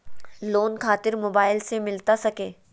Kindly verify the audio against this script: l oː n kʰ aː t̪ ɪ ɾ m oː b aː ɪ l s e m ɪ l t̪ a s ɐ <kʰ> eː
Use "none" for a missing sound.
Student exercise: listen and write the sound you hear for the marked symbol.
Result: k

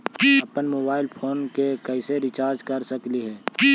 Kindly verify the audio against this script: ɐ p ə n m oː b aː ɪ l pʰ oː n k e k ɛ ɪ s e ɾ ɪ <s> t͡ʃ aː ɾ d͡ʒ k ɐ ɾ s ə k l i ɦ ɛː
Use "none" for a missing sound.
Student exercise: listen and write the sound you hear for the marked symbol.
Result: none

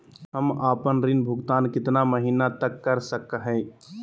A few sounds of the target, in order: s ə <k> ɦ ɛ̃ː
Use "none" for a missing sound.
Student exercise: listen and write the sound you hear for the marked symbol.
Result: k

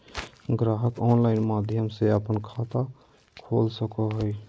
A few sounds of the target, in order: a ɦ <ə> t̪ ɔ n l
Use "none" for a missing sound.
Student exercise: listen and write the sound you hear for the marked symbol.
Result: ə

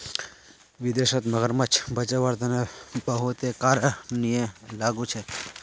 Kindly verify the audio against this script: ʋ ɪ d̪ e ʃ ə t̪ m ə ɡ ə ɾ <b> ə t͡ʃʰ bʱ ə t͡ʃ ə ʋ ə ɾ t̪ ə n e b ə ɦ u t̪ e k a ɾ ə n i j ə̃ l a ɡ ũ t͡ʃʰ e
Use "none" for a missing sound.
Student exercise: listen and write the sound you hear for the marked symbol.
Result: m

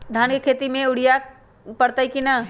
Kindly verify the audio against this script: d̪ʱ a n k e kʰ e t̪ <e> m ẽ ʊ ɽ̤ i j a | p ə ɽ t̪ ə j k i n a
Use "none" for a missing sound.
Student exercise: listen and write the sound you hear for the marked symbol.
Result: i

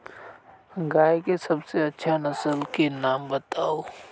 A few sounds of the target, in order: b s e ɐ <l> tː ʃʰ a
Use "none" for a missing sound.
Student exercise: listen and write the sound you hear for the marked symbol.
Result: none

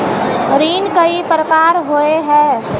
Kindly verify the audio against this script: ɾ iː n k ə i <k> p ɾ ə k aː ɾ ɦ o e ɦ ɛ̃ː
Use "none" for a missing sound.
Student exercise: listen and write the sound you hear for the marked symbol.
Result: none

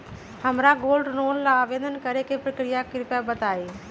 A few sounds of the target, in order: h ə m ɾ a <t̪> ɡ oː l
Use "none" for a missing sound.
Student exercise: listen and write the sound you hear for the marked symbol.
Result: none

